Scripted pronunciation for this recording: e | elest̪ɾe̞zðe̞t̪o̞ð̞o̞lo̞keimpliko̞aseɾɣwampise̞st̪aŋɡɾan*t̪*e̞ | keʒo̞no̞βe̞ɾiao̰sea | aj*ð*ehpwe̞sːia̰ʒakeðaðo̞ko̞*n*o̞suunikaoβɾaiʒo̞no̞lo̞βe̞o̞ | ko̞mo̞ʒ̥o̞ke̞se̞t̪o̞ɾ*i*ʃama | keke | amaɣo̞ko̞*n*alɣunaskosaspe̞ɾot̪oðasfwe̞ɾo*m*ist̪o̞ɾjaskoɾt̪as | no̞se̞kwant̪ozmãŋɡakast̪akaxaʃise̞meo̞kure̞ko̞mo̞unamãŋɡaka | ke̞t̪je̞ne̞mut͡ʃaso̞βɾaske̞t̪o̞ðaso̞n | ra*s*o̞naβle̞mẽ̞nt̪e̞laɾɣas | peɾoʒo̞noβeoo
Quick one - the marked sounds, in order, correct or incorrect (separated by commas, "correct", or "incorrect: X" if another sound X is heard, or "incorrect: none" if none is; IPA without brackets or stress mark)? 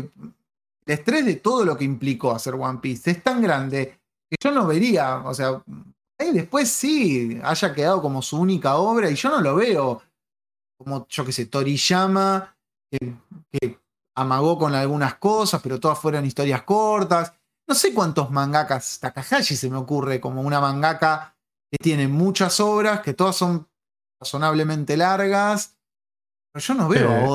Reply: incorrect: d̪, correct, incorrect: m, correct, correct, incorrect: n, correct